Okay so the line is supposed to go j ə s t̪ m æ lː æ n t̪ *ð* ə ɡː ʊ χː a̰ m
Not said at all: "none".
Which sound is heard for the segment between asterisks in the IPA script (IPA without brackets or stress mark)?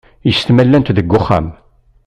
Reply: ð